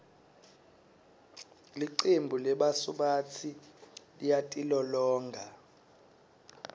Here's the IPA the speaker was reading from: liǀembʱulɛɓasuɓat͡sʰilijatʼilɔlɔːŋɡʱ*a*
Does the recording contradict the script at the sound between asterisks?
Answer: no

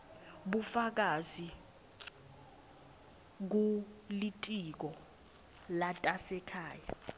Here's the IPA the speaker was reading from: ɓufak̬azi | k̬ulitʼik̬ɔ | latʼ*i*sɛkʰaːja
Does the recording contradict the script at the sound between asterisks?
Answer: yes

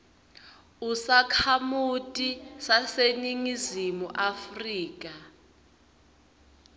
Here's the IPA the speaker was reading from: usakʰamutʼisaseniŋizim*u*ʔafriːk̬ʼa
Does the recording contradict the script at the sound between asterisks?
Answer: no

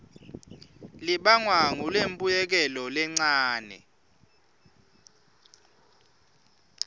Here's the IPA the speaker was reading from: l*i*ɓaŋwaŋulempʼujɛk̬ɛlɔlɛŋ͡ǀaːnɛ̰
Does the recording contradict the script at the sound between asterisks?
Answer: no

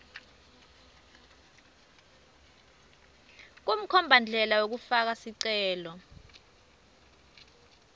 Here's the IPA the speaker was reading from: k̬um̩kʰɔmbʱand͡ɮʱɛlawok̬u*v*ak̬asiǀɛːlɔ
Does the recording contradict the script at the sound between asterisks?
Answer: yes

